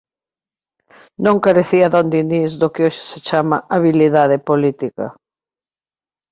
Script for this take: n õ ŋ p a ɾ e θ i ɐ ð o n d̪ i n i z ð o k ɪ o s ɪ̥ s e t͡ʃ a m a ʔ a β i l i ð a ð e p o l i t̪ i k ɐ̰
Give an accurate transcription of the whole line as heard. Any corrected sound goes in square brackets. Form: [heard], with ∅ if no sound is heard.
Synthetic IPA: n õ ŋ [k] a ɾ e θ i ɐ ð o n d̪ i n i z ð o k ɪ o [ʃ] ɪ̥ s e t͡ʃ a m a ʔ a β i l i ð a ð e p o l i t̪ i k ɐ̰